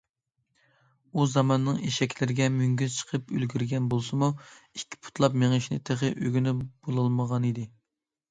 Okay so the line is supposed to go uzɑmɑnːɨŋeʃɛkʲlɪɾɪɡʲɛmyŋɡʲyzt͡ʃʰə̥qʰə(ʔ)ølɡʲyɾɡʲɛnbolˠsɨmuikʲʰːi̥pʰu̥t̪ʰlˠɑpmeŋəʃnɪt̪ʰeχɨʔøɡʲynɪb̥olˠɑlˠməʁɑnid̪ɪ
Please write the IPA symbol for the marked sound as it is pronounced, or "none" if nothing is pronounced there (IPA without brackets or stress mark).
p